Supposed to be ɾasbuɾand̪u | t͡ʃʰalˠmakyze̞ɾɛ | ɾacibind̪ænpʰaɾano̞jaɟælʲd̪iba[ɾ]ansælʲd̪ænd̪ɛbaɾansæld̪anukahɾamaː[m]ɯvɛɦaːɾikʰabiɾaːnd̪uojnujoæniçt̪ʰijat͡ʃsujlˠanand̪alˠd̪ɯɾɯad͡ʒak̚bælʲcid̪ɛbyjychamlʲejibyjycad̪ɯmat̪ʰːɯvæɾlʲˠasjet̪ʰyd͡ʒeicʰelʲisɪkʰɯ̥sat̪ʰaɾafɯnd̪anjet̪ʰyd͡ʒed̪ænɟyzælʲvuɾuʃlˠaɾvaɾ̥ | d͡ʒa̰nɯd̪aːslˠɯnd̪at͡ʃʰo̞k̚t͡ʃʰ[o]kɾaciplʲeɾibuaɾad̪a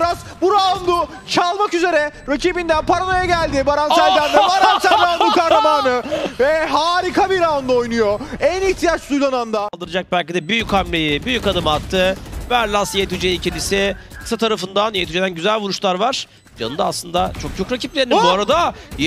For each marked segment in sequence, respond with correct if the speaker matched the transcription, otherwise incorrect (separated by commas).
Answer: correct, incorrect, correct